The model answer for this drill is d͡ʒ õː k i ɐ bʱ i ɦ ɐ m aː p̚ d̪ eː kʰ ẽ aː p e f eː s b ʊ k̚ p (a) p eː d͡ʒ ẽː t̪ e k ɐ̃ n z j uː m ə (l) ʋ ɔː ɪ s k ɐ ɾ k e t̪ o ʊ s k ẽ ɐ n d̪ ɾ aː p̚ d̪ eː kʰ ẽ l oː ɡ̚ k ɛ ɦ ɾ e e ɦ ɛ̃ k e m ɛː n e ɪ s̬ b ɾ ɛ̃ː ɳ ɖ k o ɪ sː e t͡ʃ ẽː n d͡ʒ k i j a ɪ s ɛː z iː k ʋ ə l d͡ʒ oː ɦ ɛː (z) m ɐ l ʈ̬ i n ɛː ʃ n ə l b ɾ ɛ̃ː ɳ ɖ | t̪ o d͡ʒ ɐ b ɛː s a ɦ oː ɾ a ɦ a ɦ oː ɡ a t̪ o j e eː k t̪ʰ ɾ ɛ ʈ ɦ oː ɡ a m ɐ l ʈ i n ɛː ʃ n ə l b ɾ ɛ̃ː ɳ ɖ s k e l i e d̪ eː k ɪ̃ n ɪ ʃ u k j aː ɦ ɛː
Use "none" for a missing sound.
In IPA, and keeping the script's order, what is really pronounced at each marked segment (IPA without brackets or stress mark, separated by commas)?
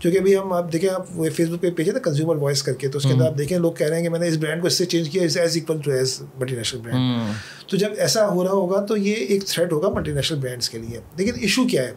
e, ɾ, z